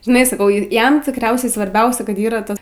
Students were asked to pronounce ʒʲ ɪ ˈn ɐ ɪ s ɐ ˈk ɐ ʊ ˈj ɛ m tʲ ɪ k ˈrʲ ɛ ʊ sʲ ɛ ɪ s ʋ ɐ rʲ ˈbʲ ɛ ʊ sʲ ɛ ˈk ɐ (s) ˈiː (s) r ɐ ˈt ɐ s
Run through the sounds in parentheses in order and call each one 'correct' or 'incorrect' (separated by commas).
incorrect, incorrect